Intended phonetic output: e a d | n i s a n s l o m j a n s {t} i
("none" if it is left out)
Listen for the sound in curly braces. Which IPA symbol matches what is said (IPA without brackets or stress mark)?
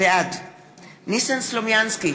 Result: k